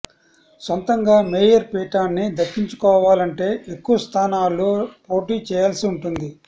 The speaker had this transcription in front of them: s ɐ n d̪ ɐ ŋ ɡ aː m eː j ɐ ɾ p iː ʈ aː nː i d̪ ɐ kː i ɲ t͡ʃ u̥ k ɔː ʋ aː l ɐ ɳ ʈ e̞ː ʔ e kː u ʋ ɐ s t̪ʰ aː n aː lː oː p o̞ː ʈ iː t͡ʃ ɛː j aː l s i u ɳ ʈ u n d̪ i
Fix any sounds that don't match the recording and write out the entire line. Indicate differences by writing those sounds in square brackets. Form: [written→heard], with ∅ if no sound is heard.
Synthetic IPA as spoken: s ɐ n [d̪→t̪] ɐ ŋ ɡ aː m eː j ɐ ɾ p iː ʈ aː nː i d̪ ɐ kː i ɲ t͡ʃ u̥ k ɔː ʋ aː l ɐ ɳ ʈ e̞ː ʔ e kː u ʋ ɐ s t̪ʰ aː n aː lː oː p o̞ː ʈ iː t͡ʃ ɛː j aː l s i u ɳ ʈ u n d̪ i

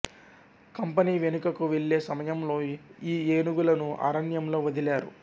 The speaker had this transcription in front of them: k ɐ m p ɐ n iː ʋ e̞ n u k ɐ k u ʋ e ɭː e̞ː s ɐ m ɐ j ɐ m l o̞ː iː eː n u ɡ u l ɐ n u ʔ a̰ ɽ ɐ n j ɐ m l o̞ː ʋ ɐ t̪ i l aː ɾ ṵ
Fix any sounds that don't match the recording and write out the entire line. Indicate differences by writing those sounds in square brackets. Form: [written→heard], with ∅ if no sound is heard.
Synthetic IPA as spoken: k ɐ m p ɐ n iː ʋ e̞ n u k ɐ k u ʋ e ɭː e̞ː s ɐ m ɐ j ɐ m l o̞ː iː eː n u ɡ u l ɐ n u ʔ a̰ [ɽ→ɾ] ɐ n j ɐ m l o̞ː ʋ ɐ [t̪→d̪] i l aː ɾ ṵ

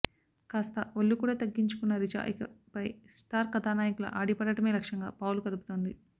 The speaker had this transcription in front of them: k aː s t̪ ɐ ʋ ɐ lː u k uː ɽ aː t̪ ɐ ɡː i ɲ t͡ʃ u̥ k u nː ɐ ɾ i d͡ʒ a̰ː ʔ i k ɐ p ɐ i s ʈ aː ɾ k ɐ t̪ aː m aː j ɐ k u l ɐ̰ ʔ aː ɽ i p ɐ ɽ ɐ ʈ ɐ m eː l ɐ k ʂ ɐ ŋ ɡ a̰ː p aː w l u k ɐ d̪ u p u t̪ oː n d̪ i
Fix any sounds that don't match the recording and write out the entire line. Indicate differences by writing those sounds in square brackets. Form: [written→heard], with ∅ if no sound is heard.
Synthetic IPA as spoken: k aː s t̪ ɐ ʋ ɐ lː u k uː ɽ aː t̪ ɐ ɡː i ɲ t͡ʃ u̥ k u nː ɐ ɾ i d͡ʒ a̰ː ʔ i k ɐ p ɐ [i→j] s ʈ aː ɾ k ɐ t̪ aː [m→n] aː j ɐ k u l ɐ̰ ʔ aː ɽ i p ɐ ɽ ɐ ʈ ɐ m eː l ɐ k ʂ ɐ ŋ ɡ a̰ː p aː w l u k ɐ d̪ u p u t̪ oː n d̪ i

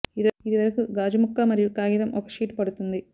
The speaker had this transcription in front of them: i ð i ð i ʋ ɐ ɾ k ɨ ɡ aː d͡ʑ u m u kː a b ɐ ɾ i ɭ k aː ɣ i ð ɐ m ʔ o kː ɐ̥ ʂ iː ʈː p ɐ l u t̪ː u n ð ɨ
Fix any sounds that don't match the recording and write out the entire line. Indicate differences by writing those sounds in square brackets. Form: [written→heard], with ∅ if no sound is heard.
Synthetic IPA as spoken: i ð i ð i ʋ ɐ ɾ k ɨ ɡ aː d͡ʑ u m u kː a [b→m] ɐ ɾ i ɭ k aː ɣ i ð ɐ m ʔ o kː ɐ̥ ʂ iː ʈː p ɐ [l→ɽ] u t̪ː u n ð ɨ

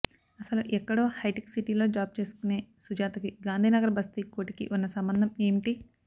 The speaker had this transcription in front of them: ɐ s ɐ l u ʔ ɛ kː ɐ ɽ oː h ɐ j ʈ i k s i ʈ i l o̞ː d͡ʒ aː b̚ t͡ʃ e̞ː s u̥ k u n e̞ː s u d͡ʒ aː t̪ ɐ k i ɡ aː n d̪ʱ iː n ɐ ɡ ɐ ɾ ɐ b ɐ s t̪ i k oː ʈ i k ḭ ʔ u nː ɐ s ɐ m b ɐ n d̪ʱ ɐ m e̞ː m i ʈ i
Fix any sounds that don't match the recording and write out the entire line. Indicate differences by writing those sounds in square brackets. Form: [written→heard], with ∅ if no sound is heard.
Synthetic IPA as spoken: ɐ s ɐ l u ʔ ɛ kː ɐ ɽ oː h ɐ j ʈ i k s i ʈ i l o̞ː d͡ʒ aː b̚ t͡ʃ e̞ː s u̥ k u n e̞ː s u d͡ʒ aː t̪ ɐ k i ɡ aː n d̪ʱ iː n ɐ ɡ ɐ ɾ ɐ b ɐ s t̪ i k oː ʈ i k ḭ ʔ u nː ɐ s ɐ m b ɐ n d̪ʱ ɐ m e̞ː m i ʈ i

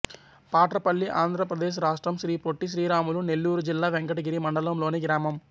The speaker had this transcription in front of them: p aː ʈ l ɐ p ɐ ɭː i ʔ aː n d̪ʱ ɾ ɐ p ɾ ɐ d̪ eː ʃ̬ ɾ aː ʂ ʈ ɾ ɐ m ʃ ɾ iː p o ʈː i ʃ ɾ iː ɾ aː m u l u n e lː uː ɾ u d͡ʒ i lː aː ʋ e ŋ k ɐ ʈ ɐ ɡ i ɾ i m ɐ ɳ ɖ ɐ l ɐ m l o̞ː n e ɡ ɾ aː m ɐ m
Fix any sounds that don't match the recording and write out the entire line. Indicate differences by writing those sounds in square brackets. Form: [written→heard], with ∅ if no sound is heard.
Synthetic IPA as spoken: p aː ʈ [l→ɾ] ɐ p ɐ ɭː i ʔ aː n d̪ʱ ɾ ɐ p ɾ ɐ d̪ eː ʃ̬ ɾ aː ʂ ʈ ɾ ɐ m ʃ ɾ iː p o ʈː i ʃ ɾ iː ɾ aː m u l u n e lː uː ɾ u d͡ʒ i lː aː ʋ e ŋ k ɐ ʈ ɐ ɡ i ɾ i m ɐ ɳ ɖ ɐ l ɐ m l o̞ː n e ɡ ɾ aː m ɐ m

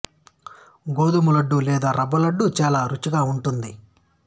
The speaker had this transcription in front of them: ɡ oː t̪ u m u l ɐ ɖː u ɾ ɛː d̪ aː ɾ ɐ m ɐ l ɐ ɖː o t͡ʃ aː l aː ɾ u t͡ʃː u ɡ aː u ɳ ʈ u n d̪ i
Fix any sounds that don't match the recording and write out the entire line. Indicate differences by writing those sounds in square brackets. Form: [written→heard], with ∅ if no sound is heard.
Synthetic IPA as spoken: ɡ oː [t̪→d̪] u m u l ɐ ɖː u [ɾ→l] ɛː d̪ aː ɾ ɐ [m→b] ɐ l ɐ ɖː [o→u] t͡ʃ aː l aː ɾ u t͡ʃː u ɡ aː u ɳ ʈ u n d̪ i

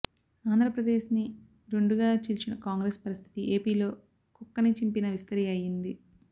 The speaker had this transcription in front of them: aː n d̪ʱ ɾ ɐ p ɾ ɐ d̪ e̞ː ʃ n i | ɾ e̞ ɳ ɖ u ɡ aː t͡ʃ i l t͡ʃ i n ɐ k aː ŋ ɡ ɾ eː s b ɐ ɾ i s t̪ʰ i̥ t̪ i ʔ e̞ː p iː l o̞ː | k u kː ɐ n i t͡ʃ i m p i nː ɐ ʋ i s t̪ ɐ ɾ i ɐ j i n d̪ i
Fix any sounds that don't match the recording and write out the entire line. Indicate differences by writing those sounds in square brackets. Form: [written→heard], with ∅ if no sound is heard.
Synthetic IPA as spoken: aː n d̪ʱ ɾ ɐ p ɾ ɐ d̪ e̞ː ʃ n i | ɾ e̞ ɳ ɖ u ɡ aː t͡ʃ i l t͡ʃ i n ɐ k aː ŋ ɡ ɾ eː s [b→p] ɐ ɾ i s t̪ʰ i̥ t̪ i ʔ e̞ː p iː l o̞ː | k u kː ɐ n i t͡ʃ i m p i [nː→n] ɐ ʋ i s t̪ ɐ ɾ i ɐ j i n d̪ i

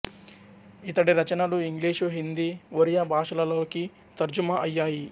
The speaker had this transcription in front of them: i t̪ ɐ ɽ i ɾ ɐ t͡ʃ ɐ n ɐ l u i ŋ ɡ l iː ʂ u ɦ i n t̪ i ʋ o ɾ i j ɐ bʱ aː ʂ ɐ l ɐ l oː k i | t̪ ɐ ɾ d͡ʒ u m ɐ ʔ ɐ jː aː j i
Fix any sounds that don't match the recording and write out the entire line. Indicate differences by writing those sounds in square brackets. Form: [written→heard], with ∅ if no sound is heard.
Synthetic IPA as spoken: i t̪ ɐ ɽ i ɾ ɐ t͡ʃ ɐ n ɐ l u i ŋ ɡ l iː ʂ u ɦ i n [t̪→d̪] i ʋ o ɾ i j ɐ bʱ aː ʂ ɐ l ɐ l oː k i | t̪ ɐ ɾ d͡ʒ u m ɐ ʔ ɐ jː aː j i

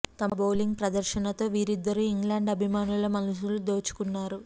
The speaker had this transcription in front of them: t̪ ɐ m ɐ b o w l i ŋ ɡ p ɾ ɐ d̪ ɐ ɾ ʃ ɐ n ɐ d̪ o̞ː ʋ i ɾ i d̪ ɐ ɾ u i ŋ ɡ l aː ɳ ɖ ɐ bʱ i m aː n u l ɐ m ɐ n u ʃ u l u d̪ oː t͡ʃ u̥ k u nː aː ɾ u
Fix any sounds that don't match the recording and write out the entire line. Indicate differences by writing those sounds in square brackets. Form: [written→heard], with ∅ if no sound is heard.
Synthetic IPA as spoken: t̪ ɐ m ɐ b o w l i ŋ ɡ p ɾ ɐ d̪ ɐ ɾ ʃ ɐ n ɐ [d̪→t̪] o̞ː ʋ [i→iː] ɾ i [d̪→d̪ː] ɐ ɾ u i ŋ ɡ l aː ɳ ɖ ɐ bʱ i m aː n u l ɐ m ɐ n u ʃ u l u d̪ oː t͡ʃ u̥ k u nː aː ɾ u

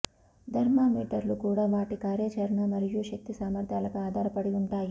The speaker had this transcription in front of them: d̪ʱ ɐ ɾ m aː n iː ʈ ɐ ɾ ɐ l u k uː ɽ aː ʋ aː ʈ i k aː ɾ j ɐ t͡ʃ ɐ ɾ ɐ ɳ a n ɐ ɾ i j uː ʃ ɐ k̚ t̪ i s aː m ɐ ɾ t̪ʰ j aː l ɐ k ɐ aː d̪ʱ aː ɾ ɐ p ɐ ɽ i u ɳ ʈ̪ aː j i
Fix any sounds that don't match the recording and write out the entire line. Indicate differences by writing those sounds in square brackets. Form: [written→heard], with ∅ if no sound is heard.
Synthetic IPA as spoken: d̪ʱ ɐ ɾ m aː [n→m] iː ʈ ɐ ɾ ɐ l u k uː ɽ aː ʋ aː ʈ i k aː ɾ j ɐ t͡ʃ ɐ ɾ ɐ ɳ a [n→m] ɐ ɾ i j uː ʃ ɐ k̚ t̪ i s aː m ɐ ɾ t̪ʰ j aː l ɐ k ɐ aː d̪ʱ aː ɾ ɐ p ɐ ɽ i u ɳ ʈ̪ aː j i

